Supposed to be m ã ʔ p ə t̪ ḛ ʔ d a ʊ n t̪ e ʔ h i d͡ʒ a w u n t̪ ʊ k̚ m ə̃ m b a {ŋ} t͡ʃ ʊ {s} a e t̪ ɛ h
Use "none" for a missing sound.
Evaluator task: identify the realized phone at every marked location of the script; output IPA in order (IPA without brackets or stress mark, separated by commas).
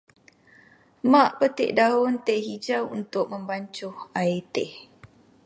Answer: ɲ, h